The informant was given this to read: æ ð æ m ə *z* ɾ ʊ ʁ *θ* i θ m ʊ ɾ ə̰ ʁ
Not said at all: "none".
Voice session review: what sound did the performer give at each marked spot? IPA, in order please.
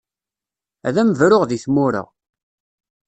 v, ð

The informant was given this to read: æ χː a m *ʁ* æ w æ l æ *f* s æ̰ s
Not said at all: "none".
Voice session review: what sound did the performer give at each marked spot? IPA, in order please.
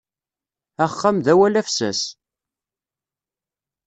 ð, f

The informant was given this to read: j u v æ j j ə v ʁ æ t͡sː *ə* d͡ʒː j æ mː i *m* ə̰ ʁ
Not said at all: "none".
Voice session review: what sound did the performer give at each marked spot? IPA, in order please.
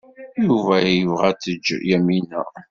ə, n

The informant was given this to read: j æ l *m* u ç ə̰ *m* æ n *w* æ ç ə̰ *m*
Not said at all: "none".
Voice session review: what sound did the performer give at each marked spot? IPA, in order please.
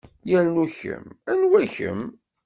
n, m, w, m

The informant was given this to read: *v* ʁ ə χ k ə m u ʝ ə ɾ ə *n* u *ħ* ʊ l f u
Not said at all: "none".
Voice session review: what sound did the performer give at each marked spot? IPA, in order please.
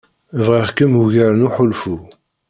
v, n, ħ

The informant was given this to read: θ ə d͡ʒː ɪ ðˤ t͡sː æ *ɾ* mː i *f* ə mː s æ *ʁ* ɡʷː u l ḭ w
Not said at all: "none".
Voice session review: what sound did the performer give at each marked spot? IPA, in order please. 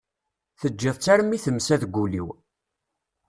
ɾ, θ, ð

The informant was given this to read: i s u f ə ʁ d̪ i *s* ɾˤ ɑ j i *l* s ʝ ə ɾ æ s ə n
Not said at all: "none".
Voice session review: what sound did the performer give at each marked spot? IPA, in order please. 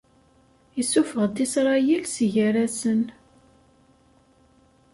s, l

